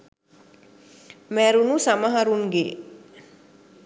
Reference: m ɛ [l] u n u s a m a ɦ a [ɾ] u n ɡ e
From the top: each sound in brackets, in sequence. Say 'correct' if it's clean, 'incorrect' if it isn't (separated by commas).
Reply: incorrect, correct